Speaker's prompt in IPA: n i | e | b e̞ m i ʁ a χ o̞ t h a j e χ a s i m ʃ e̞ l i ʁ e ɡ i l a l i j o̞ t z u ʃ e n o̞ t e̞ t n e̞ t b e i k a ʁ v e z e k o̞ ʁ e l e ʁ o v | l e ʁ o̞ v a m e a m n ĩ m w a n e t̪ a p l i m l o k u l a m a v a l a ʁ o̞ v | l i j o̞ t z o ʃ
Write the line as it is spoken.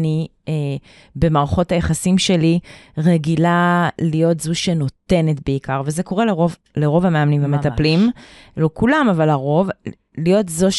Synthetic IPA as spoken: n i | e | b e̞ m a ʁ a χ o̞ t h a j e χ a s i m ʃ e̞ l i ʁ e ɡ i l a l i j o̞ t z u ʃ e n o̞ t e̞ n e̞ t b e i k a ʁ v e z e k o̞ ʁ e l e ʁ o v | l e ʁ o̞ v a m e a m n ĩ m v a m e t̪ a p l i m l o k u l a m a v a l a ʁ o̞ v | l i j o̞ t z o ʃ